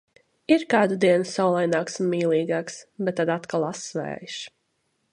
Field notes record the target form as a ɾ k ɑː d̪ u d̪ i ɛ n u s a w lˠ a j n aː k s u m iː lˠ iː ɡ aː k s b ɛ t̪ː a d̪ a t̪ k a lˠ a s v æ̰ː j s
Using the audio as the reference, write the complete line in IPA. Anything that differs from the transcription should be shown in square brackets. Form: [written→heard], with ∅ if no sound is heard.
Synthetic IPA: [a→i] ɾ k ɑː d̪ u d̪ i ɛ n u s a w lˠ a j n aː k s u m iː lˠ iː ɡ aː k s b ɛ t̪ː a d̪ a t̪ k a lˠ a s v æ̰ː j [s→ʃ]